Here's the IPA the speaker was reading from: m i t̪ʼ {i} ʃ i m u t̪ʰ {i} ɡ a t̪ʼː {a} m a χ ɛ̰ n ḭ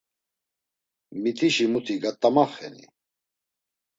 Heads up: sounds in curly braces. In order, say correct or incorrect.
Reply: correct, correct, correct

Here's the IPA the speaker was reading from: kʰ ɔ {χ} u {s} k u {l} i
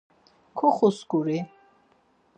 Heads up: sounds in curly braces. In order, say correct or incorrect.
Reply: correct, correct, incorrect: ɾ

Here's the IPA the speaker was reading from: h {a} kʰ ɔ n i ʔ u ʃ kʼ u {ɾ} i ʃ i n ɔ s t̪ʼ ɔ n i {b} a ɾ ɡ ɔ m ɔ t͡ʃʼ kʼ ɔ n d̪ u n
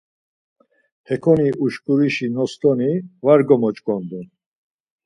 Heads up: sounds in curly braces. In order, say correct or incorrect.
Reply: incorrect: ɛ, correct, incorrect: v

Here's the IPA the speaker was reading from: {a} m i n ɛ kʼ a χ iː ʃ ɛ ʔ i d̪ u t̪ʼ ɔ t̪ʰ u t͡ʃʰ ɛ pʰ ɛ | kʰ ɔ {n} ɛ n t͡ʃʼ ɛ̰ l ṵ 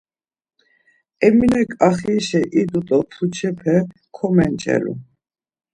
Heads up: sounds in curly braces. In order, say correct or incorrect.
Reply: incorrect: ɛ, incorrect: m

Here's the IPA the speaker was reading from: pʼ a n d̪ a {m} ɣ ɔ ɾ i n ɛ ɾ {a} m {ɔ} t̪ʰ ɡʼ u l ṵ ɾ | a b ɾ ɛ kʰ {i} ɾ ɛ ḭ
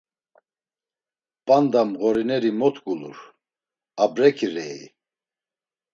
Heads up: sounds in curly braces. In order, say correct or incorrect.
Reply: correct, incorrect: i, correct, correct

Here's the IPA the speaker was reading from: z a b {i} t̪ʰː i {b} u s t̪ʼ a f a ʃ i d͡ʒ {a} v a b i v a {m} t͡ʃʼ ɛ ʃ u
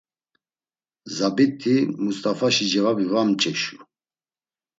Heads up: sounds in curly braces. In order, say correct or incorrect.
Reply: correct, incorrect: m, incorrect: ɛ, correct

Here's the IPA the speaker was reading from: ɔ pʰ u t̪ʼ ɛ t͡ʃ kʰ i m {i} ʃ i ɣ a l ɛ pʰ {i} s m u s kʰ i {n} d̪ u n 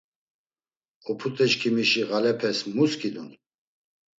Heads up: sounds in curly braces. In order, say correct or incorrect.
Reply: correct, incorrect: ɛ, incorrect: none

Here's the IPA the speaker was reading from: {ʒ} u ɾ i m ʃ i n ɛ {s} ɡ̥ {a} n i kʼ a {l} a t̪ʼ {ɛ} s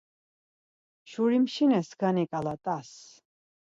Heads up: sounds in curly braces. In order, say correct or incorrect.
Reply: incorrect: ʃ, correct, correct, correct, incorrect: a

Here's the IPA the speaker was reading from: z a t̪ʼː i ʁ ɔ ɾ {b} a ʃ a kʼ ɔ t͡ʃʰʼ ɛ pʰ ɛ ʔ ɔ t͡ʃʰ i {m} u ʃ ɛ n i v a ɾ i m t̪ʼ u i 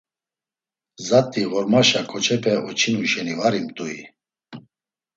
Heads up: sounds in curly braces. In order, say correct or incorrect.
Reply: incorrect: m, incorrect: n

